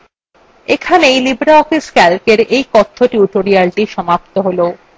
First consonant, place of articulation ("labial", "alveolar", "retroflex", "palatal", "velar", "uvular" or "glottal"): velar